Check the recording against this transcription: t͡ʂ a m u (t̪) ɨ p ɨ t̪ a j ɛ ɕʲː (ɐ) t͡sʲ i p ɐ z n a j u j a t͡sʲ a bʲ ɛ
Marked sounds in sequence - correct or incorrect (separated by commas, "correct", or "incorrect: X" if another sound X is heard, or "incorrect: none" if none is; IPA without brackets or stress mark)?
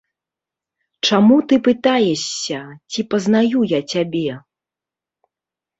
correct, correct